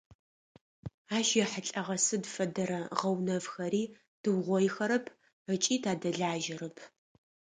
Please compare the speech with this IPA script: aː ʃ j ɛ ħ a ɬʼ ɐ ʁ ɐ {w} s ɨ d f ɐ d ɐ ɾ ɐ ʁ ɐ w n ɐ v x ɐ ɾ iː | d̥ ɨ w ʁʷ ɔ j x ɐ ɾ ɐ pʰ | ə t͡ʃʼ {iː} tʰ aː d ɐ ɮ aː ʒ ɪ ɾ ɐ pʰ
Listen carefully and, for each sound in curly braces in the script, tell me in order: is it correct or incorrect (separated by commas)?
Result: incorrect, correct